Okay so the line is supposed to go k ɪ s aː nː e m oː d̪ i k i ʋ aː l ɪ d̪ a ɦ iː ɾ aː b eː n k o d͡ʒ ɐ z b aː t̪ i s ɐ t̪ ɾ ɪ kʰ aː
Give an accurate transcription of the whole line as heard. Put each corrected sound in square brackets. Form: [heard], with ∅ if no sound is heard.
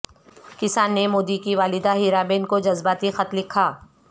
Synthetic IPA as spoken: k ɪ s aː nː e m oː d̪ i k i ʋ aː l ɪ d̪ a ɦ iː ɾ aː b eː n k o d͡ʒ ɐ z b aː t̪ i [x] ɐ t̪ [l] ɪ kʰ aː